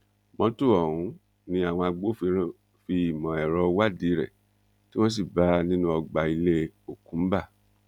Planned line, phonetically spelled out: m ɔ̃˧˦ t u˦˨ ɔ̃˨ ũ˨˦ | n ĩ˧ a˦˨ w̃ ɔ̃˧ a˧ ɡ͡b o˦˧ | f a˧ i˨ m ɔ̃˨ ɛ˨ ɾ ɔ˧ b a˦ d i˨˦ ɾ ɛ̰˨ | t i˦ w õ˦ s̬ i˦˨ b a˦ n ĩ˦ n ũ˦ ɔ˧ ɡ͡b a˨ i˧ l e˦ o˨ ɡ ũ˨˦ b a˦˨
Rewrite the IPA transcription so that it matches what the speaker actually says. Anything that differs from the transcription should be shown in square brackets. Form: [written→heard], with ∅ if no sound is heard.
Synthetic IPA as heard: m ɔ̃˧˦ t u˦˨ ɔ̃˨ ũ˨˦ | n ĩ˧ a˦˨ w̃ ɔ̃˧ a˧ ɡ͡b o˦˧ | f [a˧→i˧] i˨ m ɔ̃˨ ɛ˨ ɾ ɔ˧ [b→w] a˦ d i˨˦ ɾ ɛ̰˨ | t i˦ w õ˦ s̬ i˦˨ b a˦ n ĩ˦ n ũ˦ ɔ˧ ɡ͡b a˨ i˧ l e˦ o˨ [ɡ→k] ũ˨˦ b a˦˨